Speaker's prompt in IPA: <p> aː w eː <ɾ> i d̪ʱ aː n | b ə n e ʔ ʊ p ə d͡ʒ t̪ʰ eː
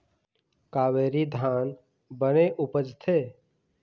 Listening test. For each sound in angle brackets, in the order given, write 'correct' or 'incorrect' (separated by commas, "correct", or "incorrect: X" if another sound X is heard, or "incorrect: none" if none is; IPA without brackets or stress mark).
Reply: incorrect: k, correct